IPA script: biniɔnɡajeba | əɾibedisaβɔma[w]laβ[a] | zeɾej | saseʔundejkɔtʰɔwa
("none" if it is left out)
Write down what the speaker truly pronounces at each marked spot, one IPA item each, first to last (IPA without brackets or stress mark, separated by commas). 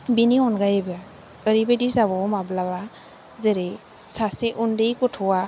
b, a